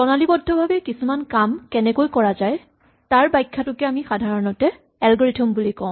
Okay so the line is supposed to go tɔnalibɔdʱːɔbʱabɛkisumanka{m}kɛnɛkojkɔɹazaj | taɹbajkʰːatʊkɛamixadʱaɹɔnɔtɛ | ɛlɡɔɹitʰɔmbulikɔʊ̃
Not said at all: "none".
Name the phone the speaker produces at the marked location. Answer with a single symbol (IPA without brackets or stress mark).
m